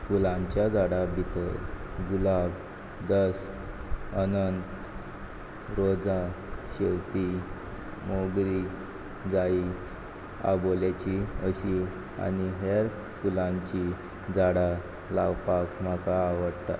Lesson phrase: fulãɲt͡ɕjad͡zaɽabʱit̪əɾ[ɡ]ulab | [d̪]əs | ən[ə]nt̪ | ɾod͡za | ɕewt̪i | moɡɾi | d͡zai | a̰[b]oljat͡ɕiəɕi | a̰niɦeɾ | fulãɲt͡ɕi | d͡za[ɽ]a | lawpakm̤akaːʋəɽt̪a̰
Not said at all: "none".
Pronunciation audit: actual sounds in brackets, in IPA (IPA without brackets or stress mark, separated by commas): ɡ, d̪, ə, b, ɽ